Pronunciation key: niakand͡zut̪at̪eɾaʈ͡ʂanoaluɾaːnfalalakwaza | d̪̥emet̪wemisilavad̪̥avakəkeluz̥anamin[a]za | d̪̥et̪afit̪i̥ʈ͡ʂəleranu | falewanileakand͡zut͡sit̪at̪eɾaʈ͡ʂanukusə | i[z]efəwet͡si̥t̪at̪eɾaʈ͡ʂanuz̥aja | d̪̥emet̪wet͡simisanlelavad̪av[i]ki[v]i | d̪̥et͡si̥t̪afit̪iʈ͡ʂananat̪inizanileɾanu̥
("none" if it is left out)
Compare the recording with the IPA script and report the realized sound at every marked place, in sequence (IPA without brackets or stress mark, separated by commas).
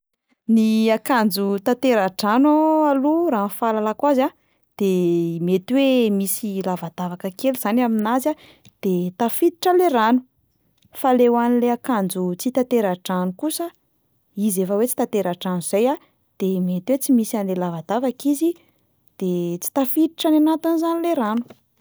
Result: a, z, a, z